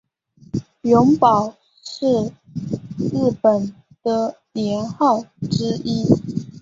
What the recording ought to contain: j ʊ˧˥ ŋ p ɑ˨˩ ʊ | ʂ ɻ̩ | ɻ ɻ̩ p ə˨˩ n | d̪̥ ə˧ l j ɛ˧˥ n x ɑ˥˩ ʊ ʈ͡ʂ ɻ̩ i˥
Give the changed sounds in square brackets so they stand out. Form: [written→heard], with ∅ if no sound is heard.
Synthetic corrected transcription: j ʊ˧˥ ŋ p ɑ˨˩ ʊ | ʂ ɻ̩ | ɻ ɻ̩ p ə˨˩ n | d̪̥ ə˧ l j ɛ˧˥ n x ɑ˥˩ ʊ ʈ͡ʂ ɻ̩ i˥

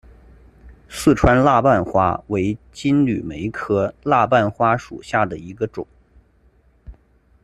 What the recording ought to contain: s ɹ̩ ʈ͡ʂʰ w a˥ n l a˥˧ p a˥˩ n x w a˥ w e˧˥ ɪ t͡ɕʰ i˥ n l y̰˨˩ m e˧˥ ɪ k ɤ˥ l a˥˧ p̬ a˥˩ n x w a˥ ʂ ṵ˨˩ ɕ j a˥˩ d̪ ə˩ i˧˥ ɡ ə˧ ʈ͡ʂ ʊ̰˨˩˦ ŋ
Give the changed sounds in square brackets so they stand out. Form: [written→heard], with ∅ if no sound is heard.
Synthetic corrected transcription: s ɹ̩ ʈ͡ʂʰ w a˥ n l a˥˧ p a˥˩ n x w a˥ w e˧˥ ɪ [t͡ɕʰ→t͡ɕ] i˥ n l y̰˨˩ m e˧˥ ɪ [k→kʰ] ɤ˥ l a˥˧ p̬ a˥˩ n x w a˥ ʂ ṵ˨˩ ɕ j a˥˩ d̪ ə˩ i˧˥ ɡ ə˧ ʈ͡ʂ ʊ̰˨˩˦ ŋ

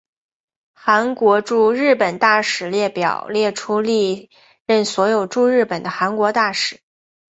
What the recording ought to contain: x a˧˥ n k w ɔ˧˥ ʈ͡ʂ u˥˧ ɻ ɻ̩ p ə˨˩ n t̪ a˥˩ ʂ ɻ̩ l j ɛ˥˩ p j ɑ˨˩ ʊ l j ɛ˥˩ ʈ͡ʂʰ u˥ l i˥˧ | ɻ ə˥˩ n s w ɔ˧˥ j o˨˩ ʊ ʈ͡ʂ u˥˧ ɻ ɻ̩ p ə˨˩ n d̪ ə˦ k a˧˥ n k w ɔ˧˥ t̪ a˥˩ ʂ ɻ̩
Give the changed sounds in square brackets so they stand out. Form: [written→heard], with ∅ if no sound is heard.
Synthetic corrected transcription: x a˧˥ n k w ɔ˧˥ ʈ͡ʂ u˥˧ ɻ ɻ̩ p ə˨˩ n t̪ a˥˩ ʂ ɻ̩ l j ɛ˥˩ p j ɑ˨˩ ʊ l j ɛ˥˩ ʈ͡ʂʰ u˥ l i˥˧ | ɻ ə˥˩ n s w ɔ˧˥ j o˨˩ ʊ ʈ͡ʂ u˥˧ ɻ ɻ̩ p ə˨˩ n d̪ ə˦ [k→x] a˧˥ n k w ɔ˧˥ t̪ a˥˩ ʂ ɻ̩

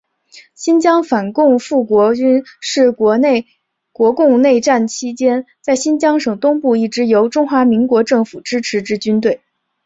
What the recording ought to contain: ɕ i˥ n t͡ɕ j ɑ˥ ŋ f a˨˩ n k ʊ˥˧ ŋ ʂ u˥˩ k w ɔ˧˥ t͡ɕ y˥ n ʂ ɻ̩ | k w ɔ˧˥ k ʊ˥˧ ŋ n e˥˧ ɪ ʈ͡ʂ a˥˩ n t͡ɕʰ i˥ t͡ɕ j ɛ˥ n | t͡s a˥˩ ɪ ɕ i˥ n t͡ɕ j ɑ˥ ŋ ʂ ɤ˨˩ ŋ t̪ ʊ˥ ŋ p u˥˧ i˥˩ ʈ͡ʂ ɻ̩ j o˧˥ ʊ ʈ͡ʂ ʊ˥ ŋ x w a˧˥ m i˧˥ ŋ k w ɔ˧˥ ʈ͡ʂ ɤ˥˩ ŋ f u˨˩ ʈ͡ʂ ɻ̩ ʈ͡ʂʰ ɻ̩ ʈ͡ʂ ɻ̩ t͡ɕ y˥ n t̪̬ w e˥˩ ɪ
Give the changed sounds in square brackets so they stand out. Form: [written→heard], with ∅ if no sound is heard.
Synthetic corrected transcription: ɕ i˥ n t͡ɕ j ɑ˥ ŋ f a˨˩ n k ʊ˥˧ ŋ [ʂ→f] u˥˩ k w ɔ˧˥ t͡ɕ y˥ n ʂ ɻ̩ | k w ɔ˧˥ k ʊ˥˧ ŋ n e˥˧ ɪ ʈ͡ʂ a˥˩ n t͡ɕʰ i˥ t͡ɕ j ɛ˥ n | t͡s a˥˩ ɪ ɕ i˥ n t͡ɕ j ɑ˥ ŋ ʂ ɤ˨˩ ŋ t̪ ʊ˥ ŋ p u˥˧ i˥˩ ʈ͡ʂ ɻ̩ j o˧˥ ʊ ʈ͡ʂ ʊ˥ ŋ x w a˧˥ m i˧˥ ŋ k w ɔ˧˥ ʈ͡ʂ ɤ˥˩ ŋ f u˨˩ ʈ͡ʂ ɻ̩ ʈ͡ʂʰ ɻ̩ ʈ͡ʂ ɻ̩ t͡ɕ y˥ n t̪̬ w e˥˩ ɪ

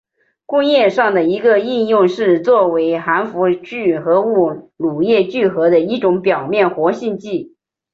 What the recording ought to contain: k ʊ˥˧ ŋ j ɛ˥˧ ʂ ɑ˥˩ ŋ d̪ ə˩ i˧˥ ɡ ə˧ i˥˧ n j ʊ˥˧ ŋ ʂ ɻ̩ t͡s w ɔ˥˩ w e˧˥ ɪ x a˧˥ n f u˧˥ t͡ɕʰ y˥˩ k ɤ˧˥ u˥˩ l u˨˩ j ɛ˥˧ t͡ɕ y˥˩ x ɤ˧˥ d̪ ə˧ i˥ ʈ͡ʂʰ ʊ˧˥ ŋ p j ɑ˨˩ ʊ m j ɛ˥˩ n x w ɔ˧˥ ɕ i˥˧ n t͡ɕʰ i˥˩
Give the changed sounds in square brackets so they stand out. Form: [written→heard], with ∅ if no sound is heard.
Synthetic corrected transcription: k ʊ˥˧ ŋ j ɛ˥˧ ʂ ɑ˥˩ ŋ d̪ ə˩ i˧˥ ɡ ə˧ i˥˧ n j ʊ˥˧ ŋ ʂ ɻ̩ t͡s w ɔ˥˩ w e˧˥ ɪ x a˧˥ n f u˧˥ [t͡ɕʰ→t͡ɕ] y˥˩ [k→x] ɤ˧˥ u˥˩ l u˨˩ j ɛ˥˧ t͡ɕ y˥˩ x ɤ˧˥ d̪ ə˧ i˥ [ʈ͡ʂʰ→ʈ͡ʂ] ʊ˧˥ ŋ p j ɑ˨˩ ʊ m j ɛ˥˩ n x w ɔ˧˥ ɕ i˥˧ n [t͡ɕʰ→t͡ɕ] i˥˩

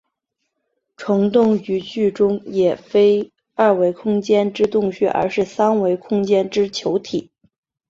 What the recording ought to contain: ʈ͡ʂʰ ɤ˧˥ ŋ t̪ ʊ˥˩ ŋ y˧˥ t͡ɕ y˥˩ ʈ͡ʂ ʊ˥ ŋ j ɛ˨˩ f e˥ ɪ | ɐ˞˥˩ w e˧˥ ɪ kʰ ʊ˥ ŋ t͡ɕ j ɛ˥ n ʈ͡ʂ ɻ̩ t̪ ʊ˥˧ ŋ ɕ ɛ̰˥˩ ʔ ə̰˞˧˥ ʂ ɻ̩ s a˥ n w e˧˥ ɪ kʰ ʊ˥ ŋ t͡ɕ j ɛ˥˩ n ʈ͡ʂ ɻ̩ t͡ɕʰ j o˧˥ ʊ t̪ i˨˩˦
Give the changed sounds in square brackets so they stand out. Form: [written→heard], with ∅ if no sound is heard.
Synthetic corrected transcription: ʈ͡ʂʰ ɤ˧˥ ŋ t̪ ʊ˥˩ ŋ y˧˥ t͡ɕ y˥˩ ʈ͡ʂ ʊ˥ ŋ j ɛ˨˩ f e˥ ɪ | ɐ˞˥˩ w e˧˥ ɪ kʰ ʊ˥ ŋ t͡ɕ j ɛ˥ n ʈ͡ʂ ɻ̩ t̪ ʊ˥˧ ŋ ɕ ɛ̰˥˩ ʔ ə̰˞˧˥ ʂ ɻ̩ s a˥ n w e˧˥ ɪ kʰ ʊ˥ ŋ t͡ɕ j [ɛ˥˩→ɛ˥] n ʈ͡ʂ ɻ̩ t͡ɕʰ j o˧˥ ʊ [t̪→t̪ʰ] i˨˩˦

